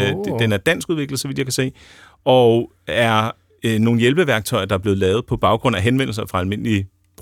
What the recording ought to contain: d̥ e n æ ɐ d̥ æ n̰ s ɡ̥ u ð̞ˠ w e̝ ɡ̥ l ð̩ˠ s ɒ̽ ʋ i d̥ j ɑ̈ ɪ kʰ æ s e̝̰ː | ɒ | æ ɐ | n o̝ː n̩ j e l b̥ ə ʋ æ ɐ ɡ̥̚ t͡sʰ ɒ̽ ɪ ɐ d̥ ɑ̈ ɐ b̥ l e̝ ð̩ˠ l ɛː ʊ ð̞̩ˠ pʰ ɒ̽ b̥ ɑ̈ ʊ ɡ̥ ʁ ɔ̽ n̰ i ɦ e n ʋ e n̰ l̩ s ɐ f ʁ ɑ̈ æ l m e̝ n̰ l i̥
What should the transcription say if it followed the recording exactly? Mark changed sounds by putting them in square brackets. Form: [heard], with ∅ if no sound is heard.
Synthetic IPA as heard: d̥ e n æ ɐ d̥ æ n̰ s ɡ̥ u ð̞ˠ [ʋ] e̝ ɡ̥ l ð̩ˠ s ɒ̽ ʋ i d̥ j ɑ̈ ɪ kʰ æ s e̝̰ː | ɒ | æ ɐ | n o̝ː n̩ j e l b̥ ə ʋ æ ɐ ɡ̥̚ t͡sʰ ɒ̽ ɪ ɐ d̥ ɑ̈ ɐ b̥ l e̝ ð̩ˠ l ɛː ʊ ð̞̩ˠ pʰ ɒ̽ b̥ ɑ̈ ʊ ɡ̥ ʁ ɔ̽ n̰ [æ] ɦ e n ʋ e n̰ l̩ s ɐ f ʁ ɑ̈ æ l m e̝ n̰ l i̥